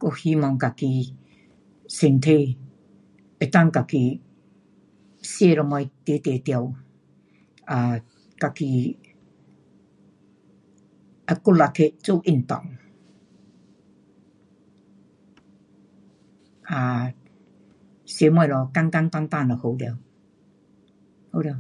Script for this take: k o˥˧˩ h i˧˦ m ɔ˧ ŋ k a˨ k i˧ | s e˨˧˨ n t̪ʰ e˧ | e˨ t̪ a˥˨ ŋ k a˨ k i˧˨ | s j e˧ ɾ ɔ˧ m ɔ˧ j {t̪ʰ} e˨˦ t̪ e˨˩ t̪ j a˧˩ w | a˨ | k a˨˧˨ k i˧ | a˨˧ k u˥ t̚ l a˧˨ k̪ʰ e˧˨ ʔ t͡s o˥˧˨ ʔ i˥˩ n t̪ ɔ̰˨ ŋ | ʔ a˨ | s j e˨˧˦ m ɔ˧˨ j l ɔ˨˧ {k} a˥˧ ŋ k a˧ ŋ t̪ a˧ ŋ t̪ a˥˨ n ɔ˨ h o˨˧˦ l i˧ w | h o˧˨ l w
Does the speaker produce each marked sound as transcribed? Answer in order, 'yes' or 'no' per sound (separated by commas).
no, yes